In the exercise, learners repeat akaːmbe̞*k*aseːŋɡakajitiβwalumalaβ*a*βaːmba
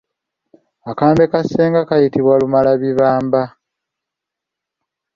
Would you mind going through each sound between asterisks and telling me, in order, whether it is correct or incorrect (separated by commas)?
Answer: correct, incorrect